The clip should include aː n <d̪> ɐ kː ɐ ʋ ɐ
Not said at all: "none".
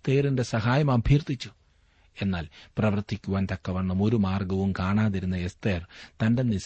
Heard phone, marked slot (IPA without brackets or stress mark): t̪